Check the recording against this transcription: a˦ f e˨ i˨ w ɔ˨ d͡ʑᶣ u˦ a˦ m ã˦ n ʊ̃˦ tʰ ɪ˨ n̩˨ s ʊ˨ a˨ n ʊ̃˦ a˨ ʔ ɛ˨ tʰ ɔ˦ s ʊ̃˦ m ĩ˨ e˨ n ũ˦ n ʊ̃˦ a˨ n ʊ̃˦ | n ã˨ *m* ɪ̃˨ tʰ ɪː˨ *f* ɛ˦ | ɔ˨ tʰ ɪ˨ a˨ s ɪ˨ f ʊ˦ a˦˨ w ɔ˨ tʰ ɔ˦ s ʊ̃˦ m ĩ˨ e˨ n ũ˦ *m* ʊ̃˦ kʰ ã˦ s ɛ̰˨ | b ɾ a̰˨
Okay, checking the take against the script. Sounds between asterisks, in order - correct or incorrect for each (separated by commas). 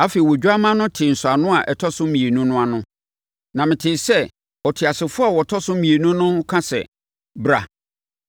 correct, incorrect, incorrect